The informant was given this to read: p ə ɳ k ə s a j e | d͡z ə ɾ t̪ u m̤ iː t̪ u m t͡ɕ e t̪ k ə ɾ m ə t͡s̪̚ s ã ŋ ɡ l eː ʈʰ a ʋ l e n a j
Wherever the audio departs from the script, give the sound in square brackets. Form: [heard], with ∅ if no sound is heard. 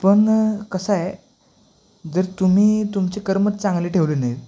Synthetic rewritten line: p ə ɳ k ə s a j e | d͡z ə ɾ t̪ u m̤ iː t̪ u m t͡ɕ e [∅] k ə ɾ m ə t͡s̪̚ [t͡s] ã ŋ ɡ l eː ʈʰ [e] ʋ l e n a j